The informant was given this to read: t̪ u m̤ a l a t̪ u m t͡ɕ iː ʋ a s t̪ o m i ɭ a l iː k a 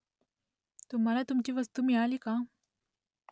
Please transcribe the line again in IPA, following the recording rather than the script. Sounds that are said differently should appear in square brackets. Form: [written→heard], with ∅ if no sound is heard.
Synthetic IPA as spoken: t̪ u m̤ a l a t̪ u m t͡ɕ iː ʋ [a→ə] s t̪ [o→u] m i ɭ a l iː k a